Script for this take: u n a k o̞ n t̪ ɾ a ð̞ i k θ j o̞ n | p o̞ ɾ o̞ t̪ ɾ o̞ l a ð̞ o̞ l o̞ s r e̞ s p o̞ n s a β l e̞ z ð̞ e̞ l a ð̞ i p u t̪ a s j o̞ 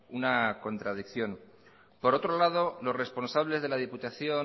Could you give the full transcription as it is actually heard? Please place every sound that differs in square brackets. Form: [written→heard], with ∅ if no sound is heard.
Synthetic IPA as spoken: u n a k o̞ n t̪ ɾ a ð̞ i k θ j o̞ n | p o̞ ɾ o̞ t̪ ɾ o̞ l a ð̞ o̞ l o̞ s r e̞ s p o̞ n s a β l e̞ z ð̞ e̞ l a ð̞ i p u t̪ a [s→θ] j o̞